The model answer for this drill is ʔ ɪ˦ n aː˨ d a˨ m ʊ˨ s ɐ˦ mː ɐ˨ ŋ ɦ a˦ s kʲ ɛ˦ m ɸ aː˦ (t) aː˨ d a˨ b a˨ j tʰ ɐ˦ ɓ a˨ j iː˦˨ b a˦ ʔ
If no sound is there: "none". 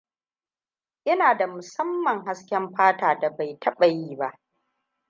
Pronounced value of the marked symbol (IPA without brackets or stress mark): t